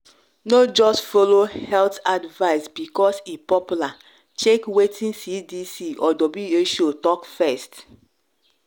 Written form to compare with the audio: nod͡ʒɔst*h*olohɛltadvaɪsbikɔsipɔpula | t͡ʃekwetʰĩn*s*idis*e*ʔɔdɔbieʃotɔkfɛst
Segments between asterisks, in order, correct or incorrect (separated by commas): incorrect, correct, incorrect